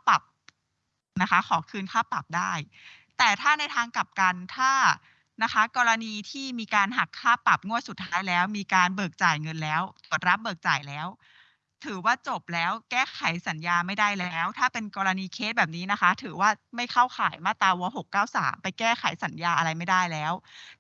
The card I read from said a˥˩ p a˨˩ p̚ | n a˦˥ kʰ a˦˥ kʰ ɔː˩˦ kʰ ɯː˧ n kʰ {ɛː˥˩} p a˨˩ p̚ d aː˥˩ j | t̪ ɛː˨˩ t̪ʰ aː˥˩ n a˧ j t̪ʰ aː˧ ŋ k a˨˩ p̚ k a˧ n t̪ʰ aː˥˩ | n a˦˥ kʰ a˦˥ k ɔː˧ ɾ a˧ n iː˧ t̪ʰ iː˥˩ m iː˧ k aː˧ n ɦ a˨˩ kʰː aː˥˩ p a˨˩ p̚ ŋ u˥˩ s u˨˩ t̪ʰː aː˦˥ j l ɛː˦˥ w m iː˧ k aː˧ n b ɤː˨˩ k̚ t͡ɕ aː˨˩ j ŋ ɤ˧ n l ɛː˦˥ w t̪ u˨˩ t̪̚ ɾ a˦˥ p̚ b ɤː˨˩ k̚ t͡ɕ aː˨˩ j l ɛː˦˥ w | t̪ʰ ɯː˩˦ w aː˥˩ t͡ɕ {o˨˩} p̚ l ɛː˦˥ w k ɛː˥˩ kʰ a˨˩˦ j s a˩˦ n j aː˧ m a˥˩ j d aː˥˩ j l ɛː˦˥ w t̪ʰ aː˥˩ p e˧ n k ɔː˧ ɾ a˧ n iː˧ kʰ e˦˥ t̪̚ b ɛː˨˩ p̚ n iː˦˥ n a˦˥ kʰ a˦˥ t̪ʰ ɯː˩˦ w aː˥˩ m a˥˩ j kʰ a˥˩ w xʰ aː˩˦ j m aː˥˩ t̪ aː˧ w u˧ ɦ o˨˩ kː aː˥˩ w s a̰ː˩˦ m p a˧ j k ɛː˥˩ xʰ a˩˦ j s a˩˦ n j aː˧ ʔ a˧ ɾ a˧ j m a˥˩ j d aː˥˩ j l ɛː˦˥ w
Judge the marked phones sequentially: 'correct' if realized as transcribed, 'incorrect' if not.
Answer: incorrect: aː˥˩, correct

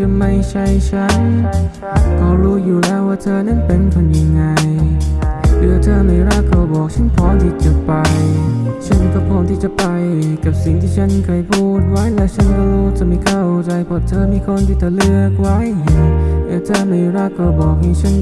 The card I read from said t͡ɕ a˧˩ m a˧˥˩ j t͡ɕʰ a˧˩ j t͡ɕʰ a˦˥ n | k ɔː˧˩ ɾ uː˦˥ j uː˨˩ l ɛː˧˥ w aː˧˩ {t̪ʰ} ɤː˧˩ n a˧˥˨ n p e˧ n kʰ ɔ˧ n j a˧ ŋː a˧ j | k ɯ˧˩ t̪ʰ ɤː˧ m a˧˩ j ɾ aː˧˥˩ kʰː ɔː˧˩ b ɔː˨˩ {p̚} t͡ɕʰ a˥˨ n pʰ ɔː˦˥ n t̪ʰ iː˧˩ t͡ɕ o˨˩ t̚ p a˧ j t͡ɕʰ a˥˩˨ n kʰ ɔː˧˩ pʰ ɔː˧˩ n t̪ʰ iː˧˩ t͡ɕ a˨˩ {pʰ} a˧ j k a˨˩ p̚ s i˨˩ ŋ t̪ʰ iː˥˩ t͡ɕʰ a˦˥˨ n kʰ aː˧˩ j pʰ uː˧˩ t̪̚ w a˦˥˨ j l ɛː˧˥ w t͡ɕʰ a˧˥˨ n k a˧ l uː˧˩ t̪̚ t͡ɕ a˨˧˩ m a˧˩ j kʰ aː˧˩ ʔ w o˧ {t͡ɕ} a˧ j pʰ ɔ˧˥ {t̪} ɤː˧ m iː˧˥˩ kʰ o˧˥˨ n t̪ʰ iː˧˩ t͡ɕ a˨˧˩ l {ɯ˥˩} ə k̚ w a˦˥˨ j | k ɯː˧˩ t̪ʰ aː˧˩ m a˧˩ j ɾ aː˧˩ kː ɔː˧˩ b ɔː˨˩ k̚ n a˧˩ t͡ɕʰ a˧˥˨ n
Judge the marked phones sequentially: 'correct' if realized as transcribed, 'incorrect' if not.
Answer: correct, incorrect: k̚, incorrect: p, correct, incorrect: t̪ʰ, incorrect: ɯ˧

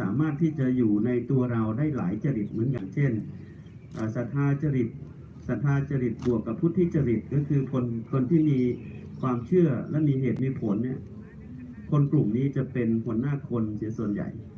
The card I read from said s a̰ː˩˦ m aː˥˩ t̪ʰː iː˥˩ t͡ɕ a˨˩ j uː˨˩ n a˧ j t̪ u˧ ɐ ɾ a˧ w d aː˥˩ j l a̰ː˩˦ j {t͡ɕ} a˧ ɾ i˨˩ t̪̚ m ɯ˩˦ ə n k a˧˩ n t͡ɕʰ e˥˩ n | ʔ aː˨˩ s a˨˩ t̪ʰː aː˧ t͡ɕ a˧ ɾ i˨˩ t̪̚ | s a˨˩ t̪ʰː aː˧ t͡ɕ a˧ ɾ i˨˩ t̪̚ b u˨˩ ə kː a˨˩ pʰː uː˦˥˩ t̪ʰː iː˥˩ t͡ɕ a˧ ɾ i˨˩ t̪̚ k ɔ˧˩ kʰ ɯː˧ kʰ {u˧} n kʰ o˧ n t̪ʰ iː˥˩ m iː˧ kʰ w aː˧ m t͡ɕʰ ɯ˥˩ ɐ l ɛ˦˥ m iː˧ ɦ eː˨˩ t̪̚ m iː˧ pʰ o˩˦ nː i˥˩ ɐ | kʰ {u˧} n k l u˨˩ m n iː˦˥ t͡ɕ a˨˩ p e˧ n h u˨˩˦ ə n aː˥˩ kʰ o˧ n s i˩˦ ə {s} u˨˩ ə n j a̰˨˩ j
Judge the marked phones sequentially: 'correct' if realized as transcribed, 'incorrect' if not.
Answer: correct, incorrect: o˧, incorrect: o˧, correct

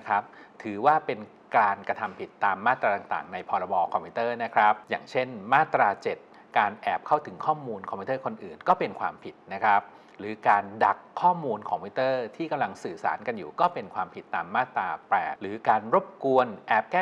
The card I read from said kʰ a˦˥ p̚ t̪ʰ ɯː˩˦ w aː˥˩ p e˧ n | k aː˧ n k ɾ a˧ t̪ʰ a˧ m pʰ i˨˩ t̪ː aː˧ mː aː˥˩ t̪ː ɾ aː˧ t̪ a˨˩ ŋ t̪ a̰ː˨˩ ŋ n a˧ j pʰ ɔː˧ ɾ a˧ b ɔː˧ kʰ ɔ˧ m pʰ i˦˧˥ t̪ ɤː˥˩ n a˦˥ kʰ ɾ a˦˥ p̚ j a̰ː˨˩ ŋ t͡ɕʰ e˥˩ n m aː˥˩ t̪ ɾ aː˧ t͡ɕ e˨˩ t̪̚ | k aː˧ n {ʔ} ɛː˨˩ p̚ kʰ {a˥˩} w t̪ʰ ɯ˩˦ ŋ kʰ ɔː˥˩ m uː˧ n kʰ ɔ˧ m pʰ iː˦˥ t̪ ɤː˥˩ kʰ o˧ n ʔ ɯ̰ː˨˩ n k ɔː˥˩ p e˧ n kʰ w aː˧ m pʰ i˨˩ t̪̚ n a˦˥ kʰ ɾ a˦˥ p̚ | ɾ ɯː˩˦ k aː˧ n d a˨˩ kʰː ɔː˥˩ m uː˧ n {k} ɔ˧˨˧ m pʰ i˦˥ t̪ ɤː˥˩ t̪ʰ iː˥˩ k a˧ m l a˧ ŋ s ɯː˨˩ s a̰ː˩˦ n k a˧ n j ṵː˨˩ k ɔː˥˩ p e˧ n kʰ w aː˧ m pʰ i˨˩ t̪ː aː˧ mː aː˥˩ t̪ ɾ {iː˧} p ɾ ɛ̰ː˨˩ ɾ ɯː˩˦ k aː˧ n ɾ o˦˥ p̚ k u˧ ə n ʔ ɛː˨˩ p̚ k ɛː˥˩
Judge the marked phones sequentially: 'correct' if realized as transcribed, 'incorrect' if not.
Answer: correct, correct, incorrect: kʰ, incorrect: aː˧

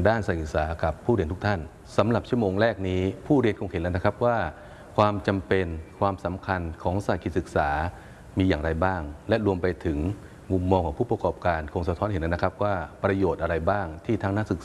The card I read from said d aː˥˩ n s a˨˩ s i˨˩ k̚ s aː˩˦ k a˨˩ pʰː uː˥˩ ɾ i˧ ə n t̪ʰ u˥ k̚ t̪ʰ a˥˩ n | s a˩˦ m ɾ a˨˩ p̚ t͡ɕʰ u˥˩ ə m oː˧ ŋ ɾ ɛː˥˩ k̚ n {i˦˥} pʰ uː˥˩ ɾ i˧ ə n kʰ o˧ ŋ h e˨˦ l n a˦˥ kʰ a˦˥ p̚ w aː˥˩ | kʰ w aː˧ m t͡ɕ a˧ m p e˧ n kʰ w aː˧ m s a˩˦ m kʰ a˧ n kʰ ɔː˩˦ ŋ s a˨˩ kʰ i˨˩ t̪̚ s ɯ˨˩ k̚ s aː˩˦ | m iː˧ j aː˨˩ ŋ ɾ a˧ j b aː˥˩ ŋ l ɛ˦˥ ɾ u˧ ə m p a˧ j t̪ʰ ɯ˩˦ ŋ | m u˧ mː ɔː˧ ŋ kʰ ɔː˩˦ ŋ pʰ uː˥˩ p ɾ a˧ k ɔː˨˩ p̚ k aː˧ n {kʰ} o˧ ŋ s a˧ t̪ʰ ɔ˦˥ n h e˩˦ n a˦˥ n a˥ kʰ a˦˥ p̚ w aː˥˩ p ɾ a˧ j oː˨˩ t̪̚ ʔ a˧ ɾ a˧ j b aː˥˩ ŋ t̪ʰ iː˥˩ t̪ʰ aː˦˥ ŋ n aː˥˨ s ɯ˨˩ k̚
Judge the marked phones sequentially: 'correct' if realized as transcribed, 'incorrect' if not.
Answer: incorrect: iː˦˥, correct

